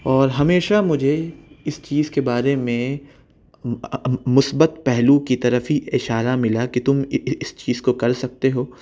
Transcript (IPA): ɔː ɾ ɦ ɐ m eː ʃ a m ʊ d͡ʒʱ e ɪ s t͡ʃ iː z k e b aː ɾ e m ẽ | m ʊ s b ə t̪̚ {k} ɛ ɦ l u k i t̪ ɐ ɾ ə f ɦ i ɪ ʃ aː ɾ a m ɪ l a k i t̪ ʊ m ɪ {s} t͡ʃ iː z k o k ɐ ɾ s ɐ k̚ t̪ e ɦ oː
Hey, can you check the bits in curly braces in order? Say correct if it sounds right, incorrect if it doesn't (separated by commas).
incorrect, correct